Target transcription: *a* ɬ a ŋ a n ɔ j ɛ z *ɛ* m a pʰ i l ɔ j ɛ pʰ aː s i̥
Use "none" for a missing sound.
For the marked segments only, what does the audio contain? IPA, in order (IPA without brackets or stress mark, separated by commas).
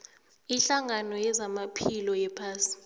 i, a